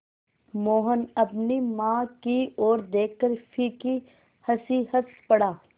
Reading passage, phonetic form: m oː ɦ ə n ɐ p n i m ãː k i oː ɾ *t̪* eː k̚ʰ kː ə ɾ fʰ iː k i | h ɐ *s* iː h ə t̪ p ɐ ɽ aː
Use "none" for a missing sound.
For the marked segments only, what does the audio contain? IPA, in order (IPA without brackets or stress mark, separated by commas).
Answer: d̪, s